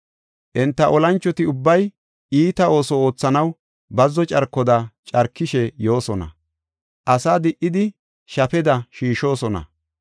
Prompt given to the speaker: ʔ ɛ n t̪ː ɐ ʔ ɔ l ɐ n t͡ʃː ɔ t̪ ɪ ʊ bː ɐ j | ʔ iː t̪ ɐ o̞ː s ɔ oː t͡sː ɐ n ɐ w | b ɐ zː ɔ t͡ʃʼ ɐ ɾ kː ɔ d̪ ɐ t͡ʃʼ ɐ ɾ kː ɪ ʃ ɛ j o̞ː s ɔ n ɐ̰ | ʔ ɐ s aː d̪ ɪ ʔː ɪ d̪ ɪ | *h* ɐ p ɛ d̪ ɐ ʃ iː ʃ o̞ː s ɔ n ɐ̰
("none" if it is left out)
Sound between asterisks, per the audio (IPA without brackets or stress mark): ʃ